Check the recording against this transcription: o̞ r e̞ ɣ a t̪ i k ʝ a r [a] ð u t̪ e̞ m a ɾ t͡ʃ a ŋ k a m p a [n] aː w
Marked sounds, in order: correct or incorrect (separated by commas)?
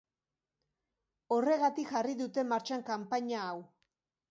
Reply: incorrect, incorrect